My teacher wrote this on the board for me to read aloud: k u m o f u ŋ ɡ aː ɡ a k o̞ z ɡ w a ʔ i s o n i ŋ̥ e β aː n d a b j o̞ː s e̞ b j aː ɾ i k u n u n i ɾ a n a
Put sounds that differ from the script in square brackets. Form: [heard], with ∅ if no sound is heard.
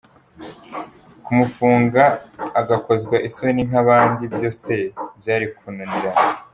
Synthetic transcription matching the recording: k u m [u] f [uː] ŋ ɡ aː ɡ a k o̞ z ɡ w a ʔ i s o n i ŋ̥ [a] β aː n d [i] b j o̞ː s e̞ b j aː ɾ i k u n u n i ɾ a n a

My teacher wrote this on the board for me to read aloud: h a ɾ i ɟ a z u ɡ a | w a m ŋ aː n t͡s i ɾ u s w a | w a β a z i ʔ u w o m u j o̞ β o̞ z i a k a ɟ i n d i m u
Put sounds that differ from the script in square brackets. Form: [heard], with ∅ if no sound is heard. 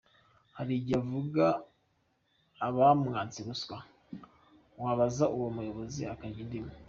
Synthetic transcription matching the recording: h a ɾ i ɟ a [v] u ɡ a | [β] a m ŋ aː n t͡s i ɾ u s w a | w a β a z [a] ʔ u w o m u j o̞ β o̞ z i a k a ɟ i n d i m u

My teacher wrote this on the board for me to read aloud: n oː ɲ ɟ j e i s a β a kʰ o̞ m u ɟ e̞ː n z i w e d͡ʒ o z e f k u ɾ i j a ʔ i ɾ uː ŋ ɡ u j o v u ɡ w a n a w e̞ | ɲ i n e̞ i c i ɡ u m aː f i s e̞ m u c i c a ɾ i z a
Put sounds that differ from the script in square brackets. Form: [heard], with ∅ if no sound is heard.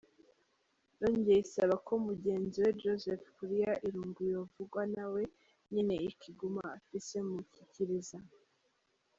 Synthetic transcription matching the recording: n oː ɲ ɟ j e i s a β a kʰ o̞ m u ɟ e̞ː n z i w e d͡ʒ o z e f k u ɾ i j a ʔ i ɾ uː ŋ ɡ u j o v u ɡ w a n a w e̞ | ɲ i n e̞ i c i ɡ u m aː f i s e̞ m u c i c [i] ɾ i z a

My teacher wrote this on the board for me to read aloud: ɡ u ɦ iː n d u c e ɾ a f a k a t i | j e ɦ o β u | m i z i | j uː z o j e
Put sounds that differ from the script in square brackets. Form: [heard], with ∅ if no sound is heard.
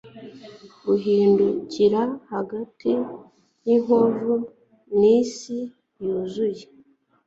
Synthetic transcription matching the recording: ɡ u ɦ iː n d u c [i] ɾ a [h] a [ɡ] a t i | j [i] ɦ o [v] u | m i [s] i | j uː z [u] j e

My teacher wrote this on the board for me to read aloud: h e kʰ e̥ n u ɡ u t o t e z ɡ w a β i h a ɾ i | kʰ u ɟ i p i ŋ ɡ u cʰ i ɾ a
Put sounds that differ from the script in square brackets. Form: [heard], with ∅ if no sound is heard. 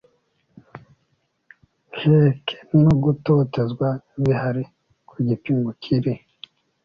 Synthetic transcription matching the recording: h e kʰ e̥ n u ɡ u t o t e z ɡ w a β i h a ɾ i | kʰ u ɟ i p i ŋ ɡ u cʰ i ɾ [i]

